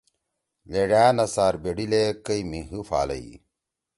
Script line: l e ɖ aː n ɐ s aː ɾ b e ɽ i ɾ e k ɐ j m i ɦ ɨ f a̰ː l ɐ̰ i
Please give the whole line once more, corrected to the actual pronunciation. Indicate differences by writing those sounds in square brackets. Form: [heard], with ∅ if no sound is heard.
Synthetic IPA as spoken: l e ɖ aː n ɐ s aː ɾ b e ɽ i [l] e k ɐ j m i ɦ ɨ f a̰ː l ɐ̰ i